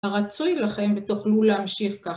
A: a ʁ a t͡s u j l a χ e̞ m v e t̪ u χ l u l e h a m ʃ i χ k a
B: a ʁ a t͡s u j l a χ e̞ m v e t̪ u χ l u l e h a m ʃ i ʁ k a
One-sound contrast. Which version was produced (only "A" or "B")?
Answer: A